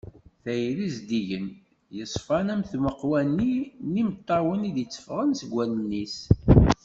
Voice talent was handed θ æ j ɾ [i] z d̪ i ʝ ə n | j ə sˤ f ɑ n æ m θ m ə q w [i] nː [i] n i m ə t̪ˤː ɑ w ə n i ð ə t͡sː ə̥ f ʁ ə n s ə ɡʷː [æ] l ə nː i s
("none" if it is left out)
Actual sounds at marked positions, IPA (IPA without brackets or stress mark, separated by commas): i, æ, i, æ